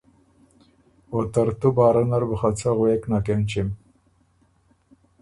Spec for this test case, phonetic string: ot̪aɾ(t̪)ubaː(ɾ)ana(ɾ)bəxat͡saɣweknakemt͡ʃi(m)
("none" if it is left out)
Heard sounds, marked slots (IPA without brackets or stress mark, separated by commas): t̪, ɾ, ɾ, m